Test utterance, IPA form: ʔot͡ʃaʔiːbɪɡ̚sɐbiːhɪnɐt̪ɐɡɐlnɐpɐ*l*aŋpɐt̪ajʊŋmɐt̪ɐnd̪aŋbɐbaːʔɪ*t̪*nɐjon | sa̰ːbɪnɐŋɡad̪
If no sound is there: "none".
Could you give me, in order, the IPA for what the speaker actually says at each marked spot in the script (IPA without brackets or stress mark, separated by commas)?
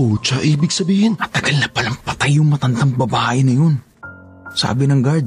l, none